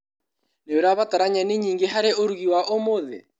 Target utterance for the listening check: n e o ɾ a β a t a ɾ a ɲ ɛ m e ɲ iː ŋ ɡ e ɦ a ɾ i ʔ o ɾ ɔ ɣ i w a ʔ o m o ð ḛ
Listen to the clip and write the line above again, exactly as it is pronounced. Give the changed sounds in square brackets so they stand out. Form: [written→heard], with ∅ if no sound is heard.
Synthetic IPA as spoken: n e o ɾ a β a t a ɾ a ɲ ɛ [m→n] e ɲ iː ŋ ɡ e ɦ a ɾ [i→e] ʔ o ɾ [ɔ→u] ɣ i w a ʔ o m o ð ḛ